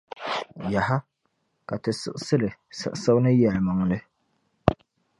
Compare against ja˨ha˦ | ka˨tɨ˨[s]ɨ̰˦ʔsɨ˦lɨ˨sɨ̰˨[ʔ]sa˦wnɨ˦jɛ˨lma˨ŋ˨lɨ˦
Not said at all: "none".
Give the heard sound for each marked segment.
s, ʔ

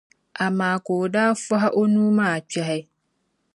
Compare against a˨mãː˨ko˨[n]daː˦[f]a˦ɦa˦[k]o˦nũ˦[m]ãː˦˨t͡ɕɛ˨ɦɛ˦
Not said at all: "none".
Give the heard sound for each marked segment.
none, f, ʔ, m

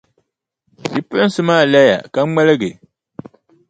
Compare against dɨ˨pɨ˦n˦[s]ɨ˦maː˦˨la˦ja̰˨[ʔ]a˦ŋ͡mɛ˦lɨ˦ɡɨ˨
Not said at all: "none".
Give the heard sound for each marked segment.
s, k

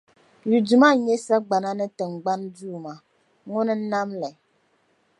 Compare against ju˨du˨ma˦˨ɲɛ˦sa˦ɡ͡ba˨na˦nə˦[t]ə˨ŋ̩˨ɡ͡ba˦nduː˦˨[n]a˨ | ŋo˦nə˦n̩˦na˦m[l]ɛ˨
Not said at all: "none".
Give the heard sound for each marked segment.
t, m, l

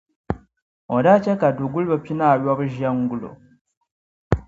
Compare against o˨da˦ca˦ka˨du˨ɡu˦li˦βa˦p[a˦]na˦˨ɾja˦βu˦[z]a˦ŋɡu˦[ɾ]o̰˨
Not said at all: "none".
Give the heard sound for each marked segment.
i˦, ʒ, l

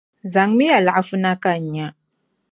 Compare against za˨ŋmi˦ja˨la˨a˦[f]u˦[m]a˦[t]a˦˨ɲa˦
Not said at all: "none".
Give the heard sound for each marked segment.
f, n, k

